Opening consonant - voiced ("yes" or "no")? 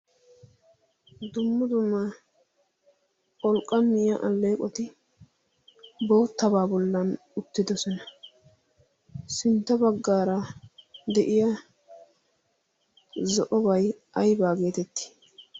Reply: yes